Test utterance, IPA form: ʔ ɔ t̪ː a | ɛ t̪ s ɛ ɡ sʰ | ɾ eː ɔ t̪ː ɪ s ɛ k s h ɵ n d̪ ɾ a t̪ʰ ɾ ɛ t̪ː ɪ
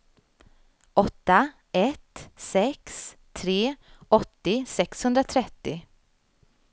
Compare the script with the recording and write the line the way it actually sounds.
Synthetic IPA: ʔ ɔ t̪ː a | ɛ t̪ s ɛ k sʰ | ɾ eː ɔ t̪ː ɪ s ɛ k s h ɵ n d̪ ɾ a t̪ʰ ɾ ɛ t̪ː ɪ